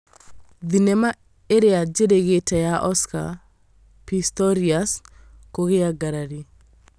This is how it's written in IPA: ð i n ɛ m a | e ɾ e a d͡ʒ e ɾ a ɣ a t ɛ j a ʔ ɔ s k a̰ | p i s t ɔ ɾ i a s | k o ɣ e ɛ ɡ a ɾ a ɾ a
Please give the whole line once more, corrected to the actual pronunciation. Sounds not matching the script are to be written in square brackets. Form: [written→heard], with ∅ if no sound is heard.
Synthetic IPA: ð i n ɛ m a | e ɾ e a d͡ʒ e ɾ [a→e] ɣ [a→e] t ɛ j a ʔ ɔ s k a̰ | p i s t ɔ ɾ i a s | k o ɣ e [ɛ→a] ɡ a ɾ a ɾ [a→i]

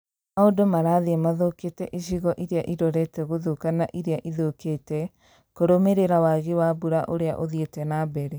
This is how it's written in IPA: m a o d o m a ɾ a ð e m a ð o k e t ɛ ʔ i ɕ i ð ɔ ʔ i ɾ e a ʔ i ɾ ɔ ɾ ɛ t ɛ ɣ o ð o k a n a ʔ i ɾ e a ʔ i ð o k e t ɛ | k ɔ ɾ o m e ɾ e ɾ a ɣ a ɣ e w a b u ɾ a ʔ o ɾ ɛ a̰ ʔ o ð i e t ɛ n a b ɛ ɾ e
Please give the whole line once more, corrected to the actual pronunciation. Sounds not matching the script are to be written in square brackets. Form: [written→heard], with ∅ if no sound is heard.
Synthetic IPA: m a o d o m a ɾ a ð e m a ð o k e t ɛ ʔ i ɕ i [ð→ɣ] ɔ ʔ i ɾ e a ʔ i ɾ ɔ ɾ ɛ t ɛ ɣ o ð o k a n a ʔ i ɾ e a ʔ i ð o k e t ɛ | k [ɔ→o] ɾ o m e ɾ e ɾ a [ɣ→w] a ɣ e w a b u ɾ a ʔ o ɾ [ɛ→e] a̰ ʔ o ð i e t ɛ n a b ɛ ɾ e

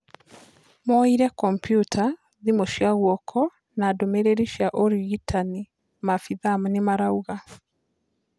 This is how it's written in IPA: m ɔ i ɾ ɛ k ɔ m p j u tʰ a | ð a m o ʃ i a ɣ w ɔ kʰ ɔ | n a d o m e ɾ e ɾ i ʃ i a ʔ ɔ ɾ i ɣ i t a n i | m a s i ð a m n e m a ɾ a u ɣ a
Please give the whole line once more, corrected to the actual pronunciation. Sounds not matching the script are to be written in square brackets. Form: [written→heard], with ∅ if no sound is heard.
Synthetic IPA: m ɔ i ɾ ɛ k ɔ m p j u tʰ a | ð [a→i] m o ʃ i a ɣ w ɔ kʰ ɔ | n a d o m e ɾ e ɾ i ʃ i a ʔ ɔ ɾ i ɣ i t a n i | m a [s→f] i ð a m n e m a ɾ a u ɣ a

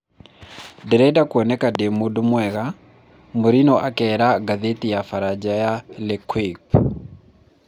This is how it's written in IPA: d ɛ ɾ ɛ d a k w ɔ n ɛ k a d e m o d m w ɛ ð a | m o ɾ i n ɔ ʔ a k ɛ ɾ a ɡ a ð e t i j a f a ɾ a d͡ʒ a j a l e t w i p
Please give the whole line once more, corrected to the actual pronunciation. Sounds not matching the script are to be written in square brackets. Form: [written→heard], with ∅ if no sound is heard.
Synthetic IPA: d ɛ ɾ ɛ d a k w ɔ n ɛ k a d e m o d m w ɛ [ð→ɣ] a | m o ɾ i n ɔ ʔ a k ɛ ɾ a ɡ a ð e t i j a f a ɾ a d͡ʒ a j a l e [t→k] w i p

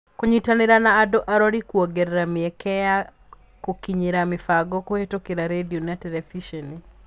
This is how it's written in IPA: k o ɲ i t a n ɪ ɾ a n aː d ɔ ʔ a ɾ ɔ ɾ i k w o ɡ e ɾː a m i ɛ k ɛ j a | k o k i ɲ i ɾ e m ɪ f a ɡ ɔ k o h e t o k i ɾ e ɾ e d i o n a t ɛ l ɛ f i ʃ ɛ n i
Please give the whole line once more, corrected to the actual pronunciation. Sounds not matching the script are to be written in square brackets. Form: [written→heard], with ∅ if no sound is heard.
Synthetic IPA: k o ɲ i t a n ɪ ɾ a n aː d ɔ ʔ a ɾ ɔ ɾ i k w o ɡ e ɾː a m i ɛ k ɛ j a | k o k i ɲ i ɾ [e→a] m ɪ f a ɡ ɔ k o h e t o k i ɾ [e→a] ɾ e d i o n a t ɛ l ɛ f i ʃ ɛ n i

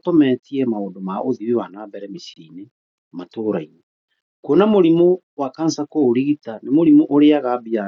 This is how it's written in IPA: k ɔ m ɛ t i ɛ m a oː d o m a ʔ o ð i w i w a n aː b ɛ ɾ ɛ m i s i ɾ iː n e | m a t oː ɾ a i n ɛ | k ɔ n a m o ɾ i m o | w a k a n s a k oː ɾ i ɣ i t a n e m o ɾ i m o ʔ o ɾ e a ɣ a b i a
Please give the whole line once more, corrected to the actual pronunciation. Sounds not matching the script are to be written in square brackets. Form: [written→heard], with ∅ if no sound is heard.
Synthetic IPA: [k→t] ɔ m ɛ t i ɛ m a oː d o m a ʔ o ð i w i w a n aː b ɛ ɾ ɛ m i s i ɾ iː n e | m a t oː ɾ a i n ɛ | k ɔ n a m o ɾ i m o | w a k a n s a k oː ɾ i ɣ i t a n e m o ɾ i m o ʔ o ɾ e a ɣ a b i a

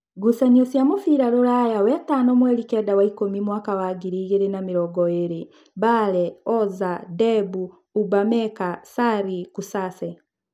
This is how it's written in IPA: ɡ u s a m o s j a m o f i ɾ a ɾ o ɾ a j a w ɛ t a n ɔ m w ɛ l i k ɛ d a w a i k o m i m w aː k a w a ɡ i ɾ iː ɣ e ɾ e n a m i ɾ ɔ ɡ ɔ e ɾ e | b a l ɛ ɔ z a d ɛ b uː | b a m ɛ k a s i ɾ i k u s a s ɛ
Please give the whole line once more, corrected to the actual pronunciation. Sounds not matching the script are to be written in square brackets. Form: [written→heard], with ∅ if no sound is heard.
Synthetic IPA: ɡ u s a [m→ɲ] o s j a m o f i ɾ a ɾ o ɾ a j a w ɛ t a n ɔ m w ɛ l i k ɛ d a w a i k o m i m w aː k a w a ɡ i ɾ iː ɣ e ɾ e n a m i ɾ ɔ ɡ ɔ e ɾ e | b a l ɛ ɔ z a d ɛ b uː | b a m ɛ k a s [i→a] ɾ i k u s a s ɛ

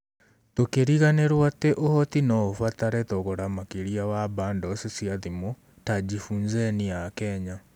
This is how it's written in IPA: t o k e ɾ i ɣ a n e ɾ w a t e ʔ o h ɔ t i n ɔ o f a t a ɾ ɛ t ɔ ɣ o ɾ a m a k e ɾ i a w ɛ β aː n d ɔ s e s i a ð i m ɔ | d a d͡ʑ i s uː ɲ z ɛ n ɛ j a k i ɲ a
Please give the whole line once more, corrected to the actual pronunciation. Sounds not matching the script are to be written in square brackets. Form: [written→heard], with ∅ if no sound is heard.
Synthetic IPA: t o k e ɾ i ɣ a n e ɾ w a t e ʔ o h ɔ t i n ɔ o f a t a ɾ ɛ t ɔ ɣ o ɾ a m a k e ɾ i a w [ɛ→a] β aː n d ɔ s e s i a ð i m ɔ | [d→t] a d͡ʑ i [s→f] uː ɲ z ɛ n [ɛ→i] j a k [i→ɛ] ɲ a

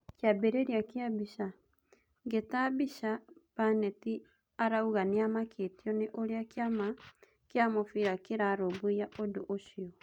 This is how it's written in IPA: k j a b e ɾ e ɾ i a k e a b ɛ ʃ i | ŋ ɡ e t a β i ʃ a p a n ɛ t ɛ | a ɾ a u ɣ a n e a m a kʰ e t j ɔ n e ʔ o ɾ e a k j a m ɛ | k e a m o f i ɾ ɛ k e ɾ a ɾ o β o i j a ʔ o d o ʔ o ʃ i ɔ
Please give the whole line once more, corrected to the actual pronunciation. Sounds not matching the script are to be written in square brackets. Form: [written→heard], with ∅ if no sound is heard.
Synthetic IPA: k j a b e ɾ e ɾ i a k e a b [ɛ→i] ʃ [i→a] | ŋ ɡ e t a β i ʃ a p a n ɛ t [ɛ→i] | a ɾ a u ɣ a n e a m a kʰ e t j ɔ n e ʔ o ɾ e a k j a m [ɛ→a] | k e a m o f i ɾ [ɛ→a] k e ɾ a ɾ o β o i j a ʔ o d o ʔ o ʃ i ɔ

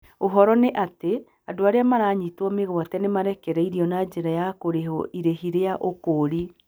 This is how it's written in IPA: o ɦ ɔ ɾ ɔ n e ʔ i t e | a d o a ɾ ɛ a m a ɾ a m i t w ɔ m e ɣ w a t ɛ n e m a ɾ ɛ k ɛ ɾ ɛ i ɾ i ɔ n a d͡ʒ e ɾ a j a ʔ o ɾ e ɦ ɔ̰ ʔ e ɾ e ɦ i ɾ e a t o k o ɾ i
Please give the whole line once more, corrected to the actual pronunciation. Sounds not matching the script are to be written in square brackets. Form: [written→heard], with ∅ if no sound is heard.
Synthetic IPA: o ɦ ɔ ɾ ɔ n e ʔ [i→a] t e | a d o a ɾ [ɛ→e] a m a ɾ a [m→ɲ] i t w ɔ m e ɣ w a t ɛ n e m a ɾ ɛ k ɛ ɾ ɛ i ɾ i ɔ n a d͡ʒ e ɾ a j a [ʔ→k] o ɾ e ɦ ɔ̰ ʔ [e→i] ɾ e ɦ i ɾ e a [t→ʔ] o k o ɾ i

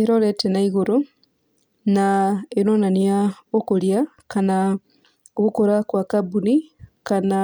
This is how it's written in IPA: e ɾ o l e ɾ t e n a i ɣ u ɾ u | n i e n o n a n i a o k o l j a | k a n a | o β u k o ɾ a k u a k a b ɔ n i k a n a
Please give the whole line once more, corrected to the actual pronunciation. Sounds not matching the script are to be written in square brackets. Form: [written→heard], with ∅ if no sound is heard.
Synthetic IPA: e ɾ o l e [ɾ→∅] t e n a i ɣ u ɾ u | n [i→a] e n o n a n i a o k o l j a | k a n a | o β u k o ɾ a k [u→w] a k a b [ɔ→u] n i k a n a

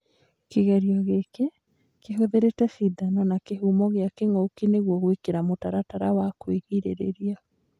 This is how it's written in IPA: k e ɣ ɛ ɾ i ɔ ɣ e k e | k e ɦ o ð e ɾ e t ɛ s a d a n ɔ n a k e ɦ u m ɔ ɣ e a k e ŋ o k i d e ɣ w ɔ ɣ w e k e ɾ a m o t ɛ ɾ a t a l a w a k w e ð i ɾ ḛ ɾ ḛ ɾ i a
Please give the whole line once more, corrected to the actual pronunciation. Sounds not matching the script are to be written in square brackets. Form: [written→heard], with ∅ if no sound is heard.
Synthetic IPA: k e ɣ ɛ ɾ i ɔ ɣ e k e | k e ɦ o ð e ɾ e t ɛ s [a→i] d a n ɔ n a k e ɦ u m ɔ ɣ e a k e ŋ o k i [d→n] e ɣ w ɔ ɣ w e k e ɾ a m o t [ɛ→a] ɾ a t a [l→ɾ] a w a k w e [ð→ɣ] i ɾ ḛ ɾ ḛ ɾ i a

